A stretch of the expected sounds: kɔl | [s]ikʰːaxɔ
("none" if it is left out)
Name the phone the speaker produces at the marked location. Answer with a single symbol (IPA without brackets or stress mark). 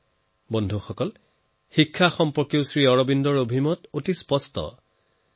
x